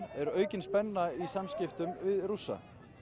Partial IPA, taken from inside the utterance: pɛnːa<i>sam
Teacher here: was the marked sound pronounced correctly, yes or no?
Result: yes